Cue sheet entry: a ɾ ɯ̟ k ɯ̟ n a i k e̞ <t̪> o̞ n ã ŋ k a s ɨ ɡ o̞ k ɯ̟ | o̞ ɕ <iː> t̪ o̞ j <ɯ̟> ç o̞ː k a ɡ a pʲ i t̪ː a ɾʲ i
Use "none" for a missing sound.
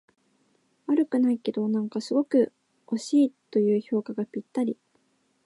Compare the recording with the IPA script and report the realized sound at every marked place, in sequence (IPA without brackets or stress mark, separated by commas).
d̪, iː, ɯ̟ː